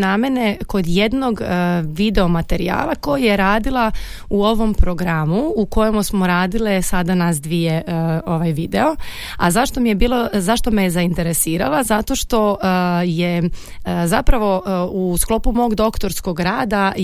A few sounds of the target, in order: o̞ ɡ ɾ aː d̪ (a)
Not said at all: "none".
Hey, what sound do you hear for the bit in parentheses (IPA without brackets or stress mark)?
a